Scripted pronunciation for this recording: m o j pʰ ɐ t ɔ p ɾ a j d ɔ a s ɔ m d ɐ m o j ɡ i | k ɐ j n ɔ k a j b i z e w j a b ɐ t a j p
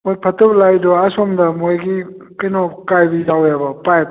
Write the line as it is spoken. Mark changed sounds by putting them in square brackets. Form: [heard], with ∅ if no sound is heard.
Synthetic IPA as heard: m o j pʰ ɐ t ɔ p [l] a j d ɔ a s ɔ m d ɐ m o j ɡ i | k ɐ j n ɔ k a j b i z [a] w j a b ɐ [p] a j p